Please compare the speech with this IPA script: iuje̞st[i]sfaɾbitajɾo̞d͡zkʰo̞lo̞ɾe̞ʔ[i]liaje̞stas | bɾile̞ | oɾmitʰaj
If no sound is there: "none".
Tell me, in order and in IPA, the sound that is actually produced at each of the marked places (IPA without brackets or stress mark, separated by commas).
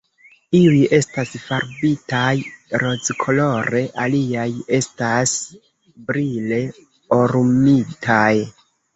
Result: a, a